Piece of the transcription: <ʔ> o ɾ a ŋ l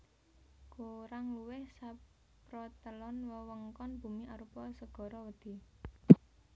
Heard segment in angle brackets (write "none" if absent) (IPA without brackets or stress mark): k